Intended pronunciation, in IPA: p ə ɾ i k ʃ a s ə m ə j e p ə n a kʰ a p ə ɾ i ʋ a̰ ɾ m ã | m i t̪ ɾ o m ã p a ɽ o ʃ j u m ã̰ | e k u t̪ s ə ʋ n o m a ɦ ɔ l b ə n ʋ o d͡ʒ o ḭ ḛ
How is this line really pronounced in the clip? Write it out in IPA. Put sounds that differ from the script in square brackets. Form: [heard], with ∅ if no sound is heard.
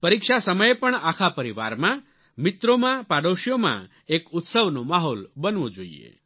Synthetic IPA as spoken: p ə ɾ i k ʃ a s ə m ə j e p ə [ɳ] a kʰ a p ə ɾ i ʋ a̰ ɾ m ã | m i t̪ ɾ o m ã p a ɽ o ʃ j [o] m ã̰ | e k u t̪ s ə ʋ n o m a ɦ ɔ l b ə n ʋ o d͡ʒ o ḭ ḛ